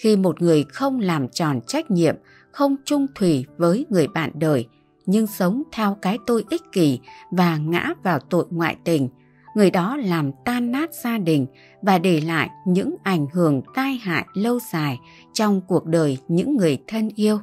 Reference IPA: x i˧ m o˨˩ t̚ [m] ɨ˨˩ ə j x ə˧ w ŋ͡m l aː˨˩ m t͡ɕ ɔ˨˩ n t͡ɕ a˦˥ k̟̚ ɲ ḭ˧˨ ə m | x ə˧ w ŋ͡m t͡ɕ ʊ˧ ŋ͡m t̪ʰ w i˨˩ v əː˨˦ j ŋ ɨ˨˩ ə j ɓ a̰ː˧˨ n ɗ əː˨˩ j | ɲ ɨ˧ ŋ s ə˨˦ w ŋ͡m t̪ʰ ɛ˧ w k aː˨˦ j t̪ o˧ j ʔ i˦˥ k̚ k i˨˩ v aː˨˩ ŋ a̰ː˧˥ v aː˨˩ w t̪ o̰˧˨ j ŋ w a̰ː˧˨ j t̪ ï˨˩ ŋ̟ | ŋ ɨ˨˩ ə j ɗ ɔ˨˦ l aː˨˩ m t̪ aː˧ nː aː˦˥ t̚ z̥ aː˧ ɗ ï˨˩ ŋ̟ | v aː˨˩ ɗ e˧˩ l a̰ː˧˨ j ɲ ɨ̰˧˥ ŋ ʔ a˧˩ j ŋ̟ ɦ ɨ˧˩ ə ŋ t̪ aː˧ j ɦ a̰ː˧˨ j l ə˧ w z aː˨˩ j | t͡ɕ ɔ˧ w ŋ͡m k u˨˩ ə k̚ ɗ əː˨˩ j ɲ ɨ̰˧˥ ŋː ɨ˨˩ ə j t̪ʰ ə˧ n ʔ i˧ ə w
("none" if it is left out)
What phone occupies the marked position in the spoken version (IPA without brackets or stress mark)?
ŋ